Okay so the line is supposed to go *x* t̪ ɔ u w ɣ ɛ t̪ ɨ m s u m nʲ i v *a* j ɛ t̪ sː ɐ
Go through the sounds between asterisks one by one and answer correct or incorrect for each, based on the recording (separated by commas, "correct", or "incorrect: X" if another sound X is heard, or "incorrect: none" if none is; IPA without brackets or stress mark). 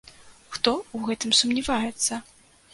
correct, correct